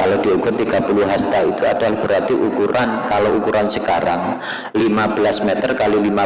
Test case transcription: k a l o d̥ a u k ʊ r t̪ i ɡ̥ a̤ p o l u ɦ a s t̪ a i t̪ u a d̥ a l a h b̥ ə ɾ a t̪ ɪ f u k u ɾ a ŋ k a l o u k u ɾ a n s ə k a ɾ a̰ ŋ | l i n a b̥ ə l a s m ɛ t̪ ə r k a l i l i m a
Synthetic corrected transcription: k a l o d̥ i u k ʊ r t̪ i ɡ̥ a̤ p u l u ɦ a s t̪ a i t̪ u a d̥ a l a h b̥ ə ɾ a t̪ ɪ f u k u ɾ a n k a l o u k u ɾ a n s ə k a ɾ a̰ ŋ | l i m a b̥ ə l a s m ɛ t̪ ə r k a l i l i m a